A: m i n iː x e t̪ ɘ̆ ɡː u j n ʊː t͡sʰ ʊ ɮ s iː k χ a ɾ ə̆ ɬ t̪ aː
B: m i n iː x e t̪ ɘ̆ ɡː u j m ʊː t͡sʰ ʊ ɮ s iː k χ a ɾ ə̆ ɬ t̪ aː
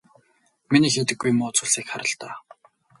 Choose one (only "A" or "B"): B